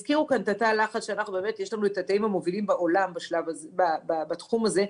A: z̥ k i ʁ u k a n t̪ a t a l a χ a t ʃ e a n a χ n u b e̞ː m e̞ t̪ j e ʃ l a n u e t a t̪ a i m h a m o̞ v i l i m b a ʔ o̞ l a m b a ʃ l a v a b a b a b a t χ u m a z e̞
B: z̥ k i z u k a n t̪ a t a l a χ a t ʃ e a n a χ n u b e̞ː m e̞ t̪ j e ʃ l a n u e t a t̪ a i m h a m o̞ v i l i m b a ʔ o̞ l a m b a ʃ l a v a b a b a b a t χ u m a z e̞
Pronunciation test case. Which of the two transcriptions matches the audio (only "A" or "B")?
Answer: A